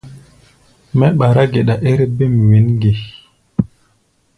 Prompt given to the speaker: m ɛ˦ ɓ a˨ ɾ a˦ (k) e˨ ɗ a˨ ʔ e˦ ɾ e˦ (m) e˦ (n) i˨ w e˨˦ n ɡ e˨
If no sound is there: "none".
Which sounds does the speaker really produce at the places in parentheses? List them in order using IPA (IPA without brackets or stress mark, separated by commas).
ɡ, b, m